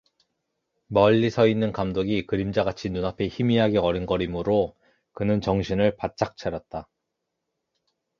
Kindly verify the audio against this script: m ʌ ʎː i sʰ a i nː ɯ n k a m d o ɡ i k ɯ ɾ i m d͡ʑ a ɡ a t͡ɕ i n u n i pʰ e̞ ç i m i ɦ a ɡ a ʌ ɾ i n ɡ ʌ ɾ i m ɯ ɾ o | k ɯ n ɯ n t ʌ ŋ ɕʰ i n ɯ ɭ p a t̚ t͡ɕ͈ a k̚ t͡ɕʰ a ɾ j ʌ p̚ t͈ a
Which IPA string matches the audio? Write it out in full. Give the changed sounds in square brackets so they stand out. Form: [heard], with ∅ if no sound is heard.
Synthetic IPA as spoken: m ʌ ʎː i sʰ [ʌ] i nː ɯ n k a m d o ɡ i k ɯ ɾ i m d͡ʑ a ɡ a [t͡ɕʰ] i n u n [a] pʰ e̞ ç i m i ɦ a ɡ [e] ʌ ɾ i n ɡ ʌ ɾ i m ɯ ɾ o | k ɯ n ɯ n [t͡ɕ] ʌ ŋ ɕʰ i n ɯ ɭ p a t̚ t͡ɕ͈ a k̚ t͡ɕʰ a ɾ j ʌ [t̚] t͈ a